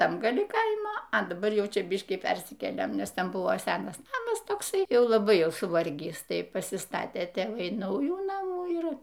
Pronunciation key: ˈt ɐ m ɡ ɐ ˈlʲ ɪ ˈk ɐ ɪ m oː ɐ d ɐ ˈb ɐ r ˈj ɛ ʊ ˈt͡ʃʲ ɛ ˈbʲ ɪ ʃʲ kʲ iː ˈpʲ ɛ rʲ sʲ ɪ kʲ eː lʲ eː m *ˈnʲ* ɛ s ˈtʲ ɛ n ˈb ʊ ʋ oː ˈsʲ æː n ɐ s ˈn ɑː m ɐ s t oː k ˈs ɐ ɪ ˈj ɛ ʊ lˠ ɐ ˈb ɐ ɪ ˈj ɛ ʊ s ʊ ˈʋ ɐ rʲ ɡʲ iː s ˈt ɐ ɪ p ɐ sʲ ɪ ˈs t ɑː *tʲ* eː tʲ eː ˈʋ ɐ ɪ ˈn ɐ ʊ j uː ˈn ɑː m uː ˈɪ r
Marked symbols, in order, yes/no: yes, yes

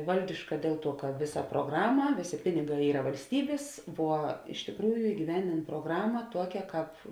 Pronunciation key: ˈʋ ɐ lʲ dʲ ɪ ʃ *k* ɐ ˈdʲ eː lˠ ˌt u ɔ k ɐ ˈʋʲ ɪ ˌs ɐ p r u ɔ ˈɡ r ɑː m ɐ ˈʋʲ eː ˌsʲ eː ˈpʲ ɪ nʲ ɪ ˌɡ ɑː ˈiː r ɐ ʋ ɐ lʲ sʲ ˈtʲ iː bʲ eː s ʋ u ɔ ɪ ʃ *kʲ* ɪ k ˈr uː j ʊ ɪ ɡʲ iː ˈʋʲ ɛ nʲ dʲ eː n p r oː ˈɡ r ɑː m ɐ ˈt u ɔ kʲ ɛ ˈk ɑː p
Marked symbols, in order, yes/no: yes, no

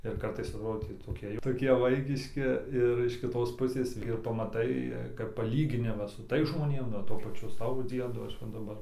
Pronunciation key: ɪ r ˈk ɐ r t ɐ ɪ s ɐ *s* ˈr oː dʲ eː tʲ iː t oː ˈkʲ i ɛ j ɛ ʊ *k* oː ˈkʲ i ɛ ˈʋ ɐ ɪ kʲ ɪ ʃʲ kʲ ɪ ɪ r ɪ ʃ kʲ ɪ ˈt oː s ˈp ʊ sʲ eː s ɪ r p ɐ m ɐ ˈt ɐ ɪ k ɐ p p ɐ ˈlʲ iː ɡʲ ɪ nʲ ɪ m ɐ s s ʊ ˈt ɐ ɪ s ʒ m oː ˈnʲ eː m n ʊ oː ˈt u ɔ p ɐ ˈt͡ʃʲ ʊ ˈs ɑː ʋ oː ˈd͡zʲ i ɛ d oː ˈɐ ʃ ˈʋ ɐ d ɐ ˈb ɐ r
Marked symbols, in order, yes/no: no, no

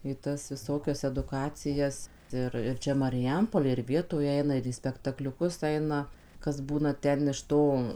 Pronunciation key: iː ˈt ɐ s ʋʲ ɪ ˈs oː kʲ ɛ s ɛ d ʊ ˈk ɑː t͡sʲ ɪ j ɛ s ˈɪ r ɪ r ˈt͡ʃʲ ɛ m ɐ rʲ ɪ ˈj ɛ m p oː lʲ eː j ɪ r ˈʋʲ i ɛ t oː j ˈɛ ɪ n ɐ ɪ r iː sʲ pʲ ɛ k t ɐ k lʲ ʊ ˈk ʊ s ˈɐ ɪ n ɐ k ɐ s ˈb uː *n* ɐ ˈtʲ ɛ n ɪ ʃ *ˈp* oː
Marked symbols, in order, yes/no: yes, no

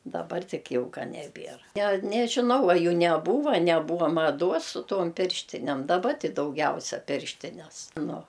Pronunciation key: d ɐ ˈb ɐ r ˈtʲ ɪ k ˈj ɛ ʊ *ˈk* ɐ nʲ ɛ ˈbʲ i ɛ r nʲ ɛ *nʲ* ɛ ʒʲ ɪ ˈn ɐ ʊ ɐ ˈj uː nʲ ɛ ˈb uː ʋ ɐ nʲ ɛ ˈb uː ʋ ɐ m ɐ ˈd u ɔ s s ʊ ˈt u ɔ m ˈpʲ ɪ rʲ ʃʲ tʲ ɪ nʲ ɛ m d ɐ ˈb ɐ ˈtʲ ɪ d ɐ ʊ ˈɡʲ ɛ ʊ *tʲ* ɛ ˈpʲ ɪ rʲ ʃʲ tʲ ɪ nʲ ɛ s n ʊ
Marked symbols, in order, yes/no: yes, yes, no

